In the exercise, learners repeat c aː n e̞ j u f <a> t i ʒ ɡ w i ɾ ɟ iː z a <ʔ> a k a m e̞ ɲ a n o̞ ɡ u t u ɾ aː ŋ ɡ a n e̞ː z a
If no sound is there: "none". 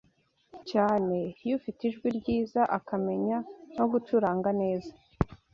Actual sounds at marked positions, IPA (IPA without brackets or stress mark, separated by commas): i, ʔ